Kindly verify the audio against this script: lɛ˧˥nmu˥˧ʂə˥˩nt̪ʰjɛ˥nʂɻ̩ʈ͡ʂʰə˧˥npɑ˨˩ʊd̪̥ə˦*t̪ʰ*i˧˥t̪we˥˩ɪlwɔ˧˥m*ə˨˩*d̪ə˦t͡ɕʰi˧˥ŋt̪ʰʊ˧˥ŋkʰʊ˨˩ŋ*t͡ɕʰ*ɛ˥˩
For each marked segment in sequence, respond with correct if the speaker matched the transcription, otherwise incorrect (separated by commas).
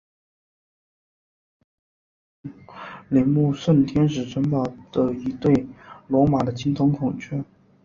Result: incorrect, incorrect, correct